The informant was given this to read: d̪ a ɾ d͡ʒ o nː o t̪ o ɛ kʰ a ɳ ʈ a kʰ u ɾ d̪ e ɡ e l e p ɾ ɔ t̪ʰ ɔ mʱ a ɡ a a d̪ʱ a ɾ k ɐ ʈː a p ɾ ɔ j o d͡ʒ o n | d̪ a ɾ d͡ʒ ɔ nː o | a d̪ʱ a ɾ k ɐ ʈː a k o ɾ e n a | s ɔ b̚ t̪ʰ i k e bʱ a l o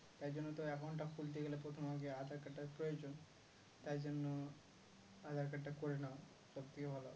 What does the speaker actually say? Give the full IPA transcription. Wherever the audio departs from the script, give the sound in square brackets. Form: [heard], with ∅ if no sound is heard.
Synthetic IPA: [t̪] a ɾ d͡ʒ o nː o t̪ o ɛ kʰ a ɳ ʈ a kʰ u [l] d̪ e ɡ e l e p ɾ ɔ t̪ʰ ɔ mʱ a ɡ [e] a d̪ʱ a ɾ k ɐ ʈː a p ɾ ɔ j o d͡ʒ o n | [t̪] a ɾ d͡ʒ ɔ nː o | a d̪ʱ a ɾ k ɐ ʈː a k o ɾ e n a | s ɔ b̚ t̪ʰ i k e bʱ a l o